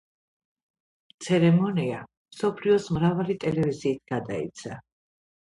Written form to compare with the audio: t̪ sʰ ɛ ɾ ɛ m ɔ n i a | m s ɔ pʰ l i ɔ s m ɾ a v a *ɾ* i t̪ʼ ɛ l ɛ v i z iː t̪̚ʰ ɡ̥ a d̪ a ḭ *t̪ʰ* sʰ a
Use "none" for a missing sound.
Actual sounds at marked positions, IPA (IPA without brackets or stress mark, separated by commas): l, t̪